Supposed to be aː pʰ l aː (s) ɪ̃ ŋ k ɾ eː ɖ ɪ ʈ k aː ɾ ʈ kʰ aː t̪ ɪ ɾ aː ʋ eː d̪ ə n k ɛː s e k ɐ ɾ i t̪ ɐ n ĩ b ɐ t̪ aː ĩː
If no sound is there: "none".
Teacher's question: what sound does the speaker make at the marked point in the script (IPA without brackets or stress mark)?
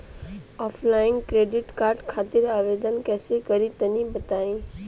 none